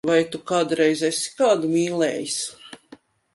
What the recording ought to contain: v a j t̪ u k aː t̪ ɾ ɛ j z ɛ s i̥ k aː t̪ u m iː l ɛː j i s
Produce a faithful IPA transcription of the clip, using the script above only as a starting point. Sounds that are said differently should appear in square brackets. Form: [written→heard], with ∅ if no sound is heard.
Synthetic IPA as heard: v a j t̪ u k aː [t̪→d̪] ɾ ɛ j z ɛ s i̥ k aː [t̪→d̪] u m iː l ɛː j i s